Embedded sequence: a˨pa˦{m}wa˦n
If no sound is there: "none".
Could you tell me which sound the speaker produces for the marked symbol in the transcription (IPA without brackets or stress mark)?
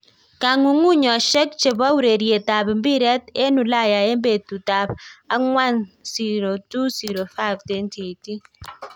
ŋ